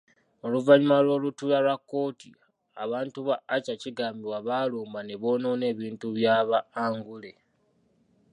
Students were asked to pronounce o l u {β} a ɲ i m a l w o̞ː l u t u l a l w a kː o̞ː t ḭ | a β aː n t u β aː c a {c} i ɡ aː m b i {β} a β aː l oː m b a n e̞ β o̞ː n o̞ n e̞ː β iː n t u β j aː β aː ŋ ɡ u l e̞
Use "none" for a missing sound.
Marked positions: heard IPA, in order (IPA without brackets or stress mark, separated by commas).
v, c, w